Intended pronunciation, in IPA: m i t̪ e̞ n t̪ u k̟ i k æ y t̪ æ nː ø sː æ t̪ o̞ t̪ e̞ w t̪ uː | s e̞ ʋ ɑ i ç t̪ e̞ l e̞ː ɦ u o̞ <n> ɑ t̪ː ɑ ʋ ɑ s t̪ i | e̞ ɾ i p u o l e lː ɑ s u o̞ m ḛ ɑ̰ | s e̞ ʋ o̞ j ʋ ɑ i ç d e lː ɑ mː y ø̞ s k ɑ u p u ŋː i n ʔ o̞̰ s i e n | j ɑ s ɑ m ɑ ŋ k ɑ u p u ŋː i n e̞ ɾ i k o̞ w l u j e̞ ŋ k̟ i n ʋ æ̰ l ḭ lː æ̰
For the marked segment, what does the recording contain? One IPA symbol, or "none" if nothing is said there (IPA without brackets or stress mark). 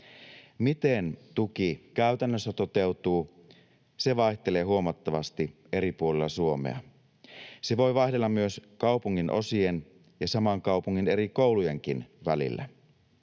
m